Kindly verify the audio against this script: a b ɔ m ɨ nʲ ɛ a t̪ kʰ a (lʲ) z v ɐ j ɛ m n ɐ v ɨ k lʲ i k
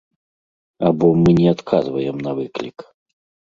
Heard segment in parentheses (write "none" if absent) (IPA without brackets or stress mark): none